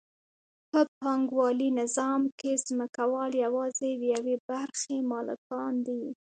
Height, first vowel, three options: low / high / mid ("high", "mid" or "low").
mid